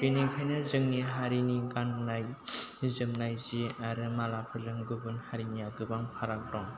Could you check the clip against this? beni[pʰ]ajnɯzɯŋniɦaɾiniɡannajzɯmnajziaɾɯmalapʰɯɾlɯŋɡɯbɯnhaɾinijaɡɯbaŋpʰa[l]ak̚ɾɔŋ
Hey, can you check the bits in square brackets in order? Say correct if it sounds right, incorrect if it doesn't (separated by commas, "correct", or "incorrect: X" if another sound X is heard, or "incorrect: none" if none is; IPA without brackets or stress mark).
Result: incorrect: kʰ, incorrect: ɾ